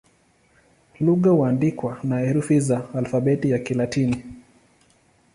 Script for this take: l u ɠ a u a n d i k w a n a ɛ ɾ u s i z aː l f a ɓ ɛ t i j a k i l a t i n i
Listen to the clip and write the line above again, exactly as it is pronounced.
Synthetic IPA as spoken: l u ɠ a u a n d i k w a n a ɛ ɾ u f i z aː l f a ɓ ɛ t i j a k i l a t i n i